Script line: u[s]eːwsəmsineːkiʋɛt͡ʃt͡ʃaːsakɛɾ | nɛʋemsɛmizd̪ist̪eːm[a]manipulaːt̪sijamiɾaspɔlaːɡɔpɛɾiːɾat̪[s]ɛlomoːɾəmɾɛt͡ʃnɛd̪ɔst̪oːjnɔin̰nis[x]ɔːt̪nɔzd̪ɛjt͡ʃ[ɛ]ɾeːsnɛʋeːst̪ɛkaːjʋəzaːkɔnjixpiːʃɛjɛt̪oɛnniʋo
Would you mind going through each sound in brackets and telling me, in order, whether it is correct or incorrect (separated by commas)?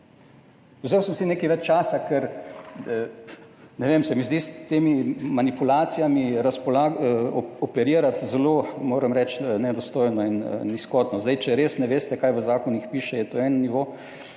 incorrect, incorrect, incorrect, incorrect, correct